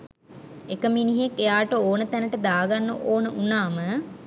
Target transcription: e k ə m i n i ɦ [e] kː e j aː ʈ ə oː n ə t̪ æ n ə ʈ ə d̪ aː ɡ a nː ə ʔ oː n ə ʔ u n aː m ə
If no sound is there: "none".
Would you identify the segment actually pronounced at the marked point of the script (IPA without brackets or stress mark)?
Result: e